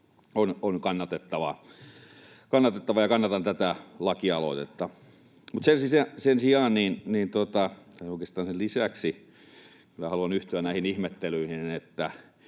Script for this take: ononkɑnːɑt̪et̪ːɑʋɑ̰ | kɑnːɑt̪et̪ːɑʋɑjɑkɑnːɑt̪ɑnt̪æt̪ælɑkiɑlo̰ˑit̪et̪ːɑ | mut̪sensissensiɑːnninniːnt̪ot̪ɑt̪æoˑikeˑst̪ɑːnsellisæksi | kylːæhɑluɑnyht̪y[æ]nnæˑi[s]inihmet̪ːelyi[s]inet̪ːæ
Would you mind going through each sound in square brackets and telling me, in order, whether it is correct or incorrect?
correct, incorrect, incorrect

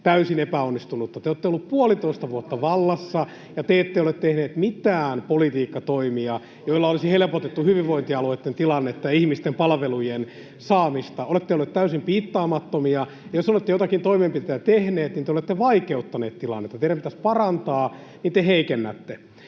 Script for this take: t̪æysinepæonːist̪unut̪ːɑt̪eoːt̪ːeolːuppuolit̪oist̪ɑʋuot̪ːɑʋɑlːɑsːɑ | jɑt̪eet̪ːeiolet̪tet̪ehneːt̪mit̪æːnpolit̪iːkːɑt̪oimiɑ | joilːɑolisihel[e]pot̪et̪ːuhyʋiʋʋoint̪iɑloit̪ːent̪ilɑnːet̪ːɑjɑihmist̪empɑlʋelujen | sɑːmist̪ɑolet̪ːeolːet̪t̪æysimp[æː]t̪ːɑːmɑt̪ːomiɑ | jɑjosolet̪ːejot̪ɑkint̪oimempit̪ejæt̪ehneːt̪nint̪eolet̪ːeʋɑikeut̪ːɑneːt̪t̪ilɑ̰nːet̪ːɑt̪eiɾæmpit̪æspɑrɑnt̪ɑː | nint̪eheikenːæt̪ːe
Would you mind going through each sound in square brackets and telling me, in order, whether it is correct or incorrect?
correct, incorrect

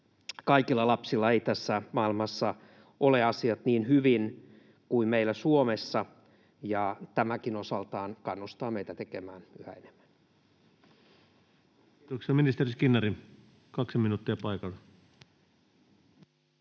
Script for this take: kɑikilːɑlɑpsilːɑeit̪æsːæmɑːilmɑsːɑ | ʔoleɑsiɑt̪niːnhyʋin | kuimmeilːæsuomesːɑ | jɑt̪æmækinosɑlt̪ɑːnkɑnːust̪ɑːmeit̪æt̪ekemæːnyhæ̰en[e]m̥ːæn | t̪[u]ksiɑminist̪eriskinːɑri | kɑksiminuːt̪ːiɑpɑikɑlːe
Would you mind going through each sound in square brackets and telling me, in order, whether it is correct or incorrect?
correct, incorrect

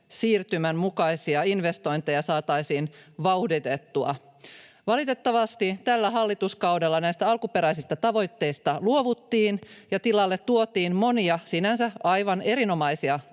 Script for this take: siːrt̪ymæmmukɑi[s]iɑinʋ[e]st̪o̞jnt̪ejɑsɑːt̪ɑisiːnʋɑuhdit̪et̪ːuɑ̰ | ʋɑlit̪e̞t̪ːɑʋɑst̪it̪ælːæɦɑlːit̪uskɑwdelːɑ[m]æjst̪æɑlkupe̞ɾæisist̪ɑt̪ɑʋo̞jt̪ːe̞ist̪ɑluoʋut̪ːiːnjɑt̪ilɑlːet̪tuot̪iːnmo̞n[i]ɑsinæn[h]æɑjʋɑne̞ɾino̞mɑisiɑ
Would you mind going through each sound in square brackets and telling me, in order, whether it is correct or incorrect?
correct, correct, incorrect, correct, incorrect

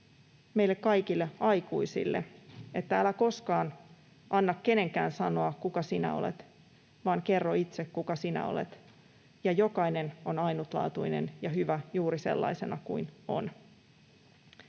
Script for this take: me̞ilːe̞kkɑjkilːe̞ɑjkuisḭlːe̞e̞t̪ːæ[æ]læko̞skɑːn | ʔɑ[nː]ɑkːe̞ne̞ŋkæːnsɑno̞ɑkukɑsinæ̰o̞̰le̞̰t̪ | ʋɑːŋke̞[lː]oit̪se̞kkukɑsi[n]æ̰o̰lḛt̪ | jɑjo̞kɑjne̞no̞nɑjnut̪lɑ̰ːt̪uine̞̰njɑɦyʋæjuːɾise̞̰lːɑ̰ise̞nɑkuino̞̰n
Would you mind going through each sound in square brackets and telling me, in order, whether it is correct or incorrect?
correct, correct, incorrect, correct

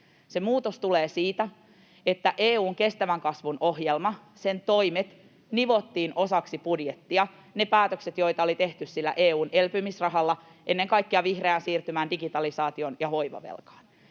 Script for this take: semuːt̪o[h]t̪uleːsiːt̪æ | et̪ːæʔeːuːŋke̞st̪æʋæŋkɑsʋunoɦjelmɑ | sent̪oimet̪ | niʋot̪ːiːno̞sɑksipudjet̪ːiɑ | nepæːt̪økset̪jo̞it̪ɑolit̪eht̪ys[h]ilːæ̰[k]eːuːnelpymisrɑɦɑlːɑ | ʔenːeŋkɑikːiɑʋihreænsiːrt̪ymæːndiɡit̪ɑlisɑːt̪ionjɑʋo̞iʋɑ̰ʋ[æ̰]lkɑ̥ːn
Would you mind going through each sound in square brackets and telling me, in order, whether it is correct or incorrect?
incorrect, incorrect, incorrect, incorrect

